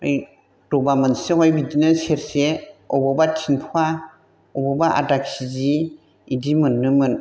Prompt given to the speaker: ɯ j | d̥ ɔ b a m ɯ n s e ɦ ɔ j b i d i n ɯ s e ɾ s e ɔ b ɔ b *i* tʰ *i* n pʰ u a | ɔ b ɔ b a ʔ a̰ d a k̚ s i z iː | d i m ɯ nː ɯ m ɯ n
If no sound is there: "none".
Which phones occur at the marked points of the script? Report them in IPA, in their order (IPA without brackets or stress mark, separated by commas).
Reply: a, i